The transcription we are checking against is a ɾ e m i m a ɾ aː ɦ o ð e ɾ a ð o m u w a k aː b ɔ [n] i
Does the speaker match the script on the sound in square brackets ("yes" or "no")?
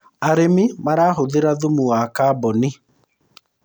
yes